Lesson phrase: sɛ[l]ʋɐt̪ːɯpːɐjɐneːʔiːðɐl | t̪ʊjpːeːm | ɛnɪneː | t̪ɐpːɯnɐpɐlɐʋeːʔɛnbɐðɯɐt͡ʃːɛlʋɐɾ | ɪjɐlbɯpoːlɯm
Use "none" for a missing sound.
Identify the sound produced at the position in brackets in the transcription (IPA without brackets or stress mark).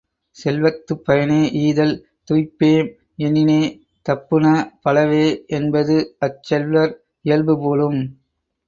l